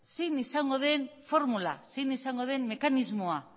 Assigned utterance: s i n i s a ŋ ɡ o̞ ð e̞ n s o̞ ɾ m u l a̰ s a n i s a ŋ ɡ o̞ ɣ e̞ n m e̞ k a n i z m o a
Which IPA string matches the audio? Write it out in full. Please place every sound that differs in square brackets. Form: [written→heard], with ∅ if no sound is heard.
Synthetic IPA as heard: s i n i s a ŋ ɡ o̞ ð e̞ n [s→f] o̞ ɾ m u l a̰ s [a→i] n i s a ŋ ɡ o̞ [ɣ→ð] e̞ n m e̞ k a n i z m o a